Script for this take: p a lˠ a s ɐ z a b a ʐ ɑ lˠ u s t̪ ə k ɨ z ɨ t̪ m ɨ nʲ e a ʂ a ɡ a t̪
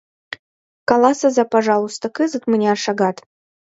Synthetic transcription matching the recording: k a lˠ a s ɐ z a p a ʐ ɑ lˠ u s t̪ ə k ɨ z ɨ t̪ m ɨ nʲ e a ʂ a ɡ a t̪